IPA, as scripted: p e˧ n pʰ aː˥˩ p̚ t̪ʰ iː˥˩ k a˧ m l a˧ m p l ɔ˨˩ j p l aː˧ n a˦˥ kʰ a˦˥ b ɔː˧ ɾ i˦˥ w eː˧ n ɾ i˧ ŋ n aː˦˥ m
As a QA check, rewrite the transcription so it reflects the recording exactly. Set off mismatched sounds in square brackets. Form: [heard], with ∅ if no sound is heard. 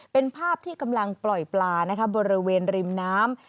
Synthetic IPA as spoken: p e˧ n pʰ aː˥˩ p̚ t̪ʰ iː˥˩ k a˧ m l a˧ [ŋ] p l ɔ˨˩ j p l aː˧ n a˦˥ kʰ a˦˥ b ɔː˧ ɾ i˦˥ w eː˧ n ɾ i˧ [m] n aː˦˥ m